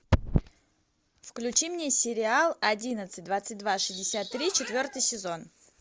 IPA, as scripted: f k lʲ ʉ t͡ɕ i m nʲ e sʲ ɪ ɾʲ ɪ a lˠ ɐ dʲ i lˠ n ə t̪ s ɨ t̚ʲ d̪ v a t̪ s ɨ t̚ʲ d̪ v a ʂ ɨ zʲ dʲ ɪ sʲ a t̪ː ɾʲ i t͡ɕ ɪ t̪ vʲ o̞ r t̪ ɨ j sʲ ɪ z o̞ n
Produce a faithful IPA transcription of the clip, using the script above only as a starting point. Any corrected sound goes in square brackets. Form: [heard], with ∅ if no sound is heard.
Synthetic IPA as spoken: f k lʲ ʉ t͡ɕ i m nʲ e sʲ ɪ ɾʲ ɪ a lˠ ɐ dʲ i [∅] n ə t̪ s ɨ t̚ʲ d̪ v a t̪ s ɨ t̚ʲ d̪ v a ʂ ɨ zʲ dʲ ɪ sʲ a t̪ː ɾʲ i t͡ɕ ɪ t̪ vʲ o̞ r t̪ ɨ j sʲ ɪ z o̞ n